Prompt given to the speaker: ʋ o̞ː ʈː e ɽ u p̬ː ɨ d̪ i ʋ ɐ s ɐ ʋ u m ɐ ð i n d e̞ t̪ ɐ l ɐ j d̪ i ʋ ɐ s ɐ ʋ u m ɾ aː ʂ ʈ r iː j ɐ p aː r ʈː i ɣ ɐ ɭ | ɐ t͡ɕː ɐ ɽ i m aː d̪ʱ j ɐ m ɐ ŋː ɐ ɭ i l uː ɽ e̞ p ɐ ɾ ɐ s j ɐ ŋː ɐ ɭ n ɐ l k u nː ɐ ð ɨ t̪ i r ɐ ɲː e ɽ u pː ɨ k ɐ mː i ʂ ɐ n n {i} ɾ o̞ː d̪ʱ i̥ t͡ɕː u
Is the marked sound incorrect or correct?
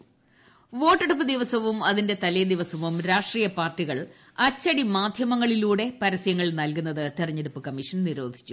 correct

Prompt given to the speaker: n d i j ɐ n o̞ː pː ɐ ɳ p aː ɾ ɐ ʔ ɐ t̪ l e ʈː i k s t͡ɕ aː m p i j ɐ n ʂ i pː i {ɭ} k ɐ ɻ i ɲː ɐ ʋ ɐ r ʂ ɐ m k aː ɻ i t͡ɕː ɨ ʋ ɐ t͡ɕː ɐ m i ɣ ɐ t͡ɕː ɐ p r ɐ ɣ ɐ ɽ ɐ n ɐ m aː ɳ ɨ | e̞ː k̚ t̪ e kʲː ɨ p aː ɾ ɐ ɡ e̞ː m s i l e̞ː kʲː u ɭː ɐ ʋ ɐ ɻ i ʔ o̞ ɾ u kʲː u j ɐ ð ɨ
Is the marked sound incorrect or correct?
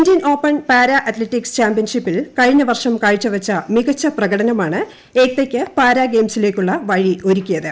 incorrect: l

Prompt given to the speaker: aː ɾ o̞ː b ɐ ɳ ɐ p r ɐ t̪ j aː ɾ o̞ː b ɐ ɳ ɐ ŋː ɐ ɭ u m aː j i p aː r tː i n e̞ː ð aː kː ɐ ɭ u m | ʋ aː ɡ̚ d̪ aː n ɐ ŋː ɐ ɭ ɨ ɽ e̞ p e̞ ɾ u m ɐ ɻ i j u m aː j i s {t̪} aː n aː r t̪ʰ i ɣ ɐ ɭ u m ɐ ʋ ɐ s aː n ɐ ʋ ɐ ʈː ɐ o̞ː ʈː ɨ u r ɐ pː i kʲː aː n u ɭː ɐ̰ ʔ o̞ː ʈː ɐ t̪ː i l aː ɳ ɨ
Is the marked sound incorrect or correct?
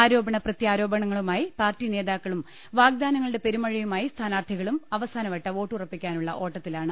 incorrect: t̪ʰ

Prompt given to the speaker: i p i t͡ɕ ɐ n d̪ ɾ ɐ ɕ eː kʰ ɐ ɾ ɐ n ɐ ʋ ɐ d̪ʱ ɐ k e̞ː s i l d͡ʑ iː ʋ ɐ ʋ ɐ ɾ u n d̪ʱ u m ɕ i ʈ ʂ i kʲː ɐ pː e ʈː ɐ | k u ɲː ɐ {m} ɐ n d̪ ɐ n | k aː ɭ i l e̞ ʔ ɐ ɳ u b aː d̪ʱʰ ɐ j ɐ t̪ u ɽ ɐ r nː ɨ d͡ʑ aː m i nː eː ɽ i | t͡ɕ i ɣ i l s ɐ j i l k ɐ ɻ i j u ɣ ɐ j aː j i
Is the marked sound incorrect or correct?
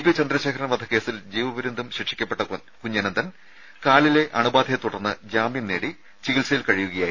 incorrect: n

